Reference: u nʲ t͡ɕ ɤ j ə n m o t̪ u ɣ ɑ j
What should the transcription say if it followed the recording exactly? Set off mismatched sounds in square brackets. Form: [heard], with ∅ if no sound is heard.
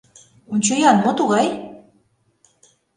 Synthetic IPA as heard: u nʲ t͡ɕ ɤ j [ɑ] n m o t̪ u ɣ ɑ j